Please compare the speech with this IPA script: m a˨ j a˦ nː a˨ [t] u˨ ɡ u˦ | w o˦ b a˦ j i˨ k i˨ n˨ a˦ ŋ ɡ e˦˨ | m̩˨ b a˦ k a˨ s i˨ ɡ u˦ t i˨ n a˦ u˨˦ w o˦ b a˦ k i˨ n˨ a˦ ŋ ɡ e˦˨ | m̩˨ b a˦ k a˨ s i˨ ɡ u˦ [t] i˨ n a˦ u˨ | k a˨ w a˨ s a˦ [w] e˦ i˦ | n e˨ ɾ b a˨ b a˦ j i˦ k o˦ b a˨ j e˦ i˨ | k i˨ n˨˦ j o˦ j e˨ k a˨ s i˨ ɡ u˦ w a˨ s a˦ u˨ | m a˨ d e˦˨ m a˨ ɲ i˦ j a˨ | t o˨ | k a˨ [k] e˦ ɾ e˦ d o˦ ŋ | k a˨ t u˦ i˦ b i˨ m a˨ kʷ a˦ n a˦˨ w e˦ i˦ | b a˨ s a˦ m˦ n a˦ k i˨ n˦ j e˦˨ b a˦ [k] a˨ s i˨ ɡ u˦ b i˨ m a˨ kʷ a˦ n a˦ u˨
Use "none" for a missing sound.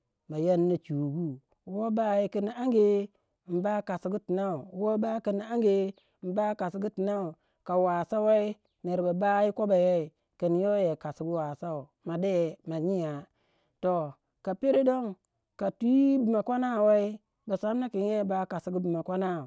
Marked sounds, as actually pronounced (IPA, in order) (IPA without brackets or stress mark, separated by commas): t͡ʃ, t, w, p, k